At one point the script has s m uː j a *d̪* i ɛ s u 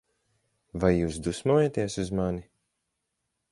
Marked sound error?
yes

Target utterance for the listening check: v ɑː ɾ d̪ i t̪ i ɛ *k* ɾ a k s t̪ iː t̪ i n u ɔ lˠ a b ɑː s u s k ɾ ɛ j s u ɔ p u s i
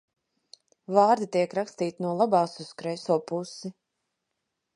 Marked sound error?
no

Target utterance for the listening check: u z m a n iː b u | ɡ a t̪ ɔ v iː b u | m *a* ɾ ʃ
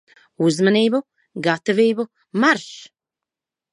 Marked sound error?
no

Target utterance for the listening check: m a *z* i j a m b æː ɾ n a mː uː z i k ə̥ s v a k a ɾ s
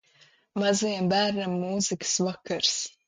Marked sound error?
no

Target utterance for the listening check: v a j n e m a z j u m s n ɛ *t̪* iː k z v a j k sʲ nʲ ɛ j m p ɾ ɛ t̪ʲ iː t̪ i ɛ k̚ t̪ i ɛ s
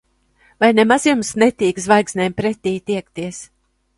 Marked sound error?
no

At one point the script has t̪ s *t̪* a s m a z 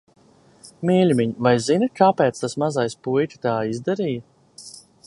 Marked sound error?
no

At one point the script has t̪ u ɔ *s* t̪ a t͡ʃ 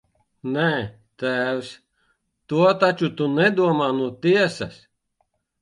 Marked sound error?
yes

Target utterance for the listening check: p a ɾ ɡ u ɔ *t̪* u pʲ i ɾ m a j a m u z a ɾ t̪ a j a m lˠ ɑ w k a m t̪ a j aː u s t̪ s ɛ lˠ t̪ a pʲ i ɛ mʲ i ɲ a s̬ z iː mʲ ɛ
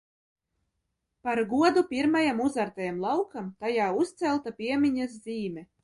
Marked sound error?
yes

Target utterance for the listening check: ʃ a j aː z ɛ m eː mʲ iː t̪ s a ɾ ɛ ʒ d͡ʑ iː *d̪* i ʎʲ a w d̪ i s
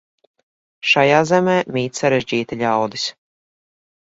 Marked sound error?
yes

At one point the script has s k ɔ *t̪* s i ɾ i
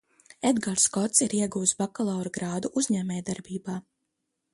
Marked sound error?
no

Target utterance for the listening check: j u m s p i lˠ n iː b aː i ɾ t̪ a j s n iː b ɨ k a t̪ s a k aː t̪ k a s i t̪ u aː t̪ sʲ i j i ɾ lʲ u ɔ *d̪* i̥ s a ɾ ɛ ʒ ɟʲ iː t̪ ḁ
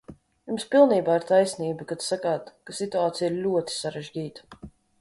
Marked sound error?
yes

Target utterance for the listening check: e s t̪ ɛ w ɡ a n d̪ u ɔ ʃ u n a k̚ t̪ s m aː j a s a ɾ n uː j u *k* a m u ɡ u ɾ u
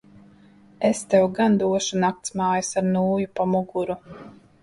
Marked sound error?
yes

